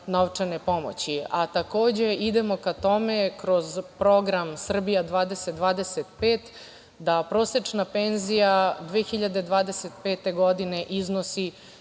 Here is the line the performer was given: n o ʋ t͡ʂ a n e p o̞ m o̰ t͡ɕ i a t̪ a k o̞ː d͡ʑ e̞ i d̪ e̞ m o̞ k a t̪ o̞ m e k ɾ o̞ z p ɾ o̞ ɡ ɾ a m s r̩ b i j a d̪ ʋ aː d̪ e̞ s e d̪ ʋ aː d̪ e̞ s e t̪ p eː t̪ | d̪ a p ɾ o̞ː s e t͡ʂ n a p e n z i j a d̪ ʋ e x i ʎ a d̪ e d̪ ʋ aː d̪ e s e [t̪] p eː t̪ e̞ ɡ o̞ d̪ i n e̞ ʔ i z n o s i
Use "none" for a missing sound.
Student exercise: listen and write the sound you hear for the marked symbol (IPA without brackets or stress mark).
t̪